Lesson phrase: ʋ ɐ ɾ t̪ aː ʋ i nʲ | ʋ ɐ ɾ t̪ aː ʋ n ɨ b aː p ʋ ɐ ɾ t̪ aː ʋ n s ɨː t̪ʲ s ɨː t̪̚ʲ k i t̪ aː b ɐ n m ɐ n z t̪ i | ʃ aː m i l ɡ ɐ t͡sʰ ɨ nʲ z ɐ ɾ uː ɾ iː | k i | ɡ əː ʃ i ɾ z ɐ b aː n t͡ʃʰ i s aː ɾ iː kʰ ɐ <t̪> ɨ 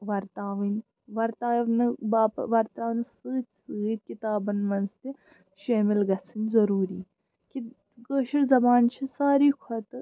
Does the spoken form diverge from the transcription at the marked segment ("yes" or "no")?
no